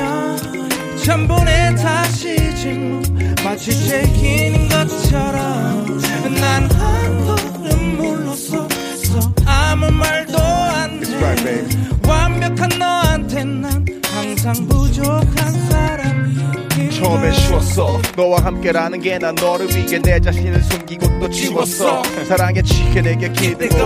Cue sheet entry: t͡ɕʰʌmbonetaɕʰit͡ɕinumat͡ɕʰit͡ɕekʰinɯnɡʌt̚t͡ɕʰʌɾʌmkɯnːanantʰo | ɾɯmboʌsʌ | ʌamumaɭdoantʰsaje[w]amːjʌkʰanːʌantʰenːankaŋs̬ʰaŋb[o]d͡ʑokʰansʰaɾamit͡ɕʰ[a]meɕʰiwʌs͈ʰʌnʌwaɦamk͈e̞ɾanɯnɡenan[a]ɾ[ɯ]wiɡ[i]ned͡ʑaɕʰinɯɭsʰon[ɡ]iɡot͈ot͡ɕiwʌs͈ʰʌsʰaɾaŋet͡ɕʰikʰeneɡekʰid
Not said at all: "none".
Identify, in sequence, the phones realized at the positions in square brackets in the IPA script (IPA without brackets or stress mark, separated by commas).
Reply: w, u, ʌ, ʌ, ɯ, e, ɡ